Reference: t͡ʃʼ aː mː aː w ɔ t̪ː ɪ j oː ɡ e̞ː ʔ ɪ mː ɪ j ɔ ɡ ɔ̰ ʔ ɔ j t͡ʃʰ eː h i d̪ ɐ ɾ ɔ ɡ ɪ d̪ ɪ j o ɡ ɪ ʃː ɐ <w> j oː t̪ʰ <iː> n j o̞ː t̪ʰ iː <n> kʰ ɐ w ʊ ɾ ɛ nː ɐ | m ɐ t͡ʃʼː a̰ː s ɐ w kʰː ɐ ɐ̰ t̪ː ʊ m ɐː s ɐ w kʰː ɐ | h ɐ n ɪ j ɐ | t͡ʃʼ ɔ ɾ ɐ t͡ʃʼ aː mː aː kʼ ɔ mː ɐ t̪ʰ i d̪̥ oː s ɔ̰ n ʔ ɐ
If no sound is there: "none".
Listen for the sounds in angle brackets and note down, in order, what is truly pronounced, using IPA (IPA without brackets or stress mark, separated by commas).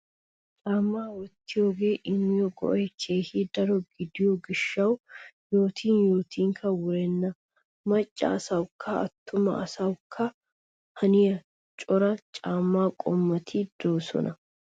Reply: w, iː, ŋ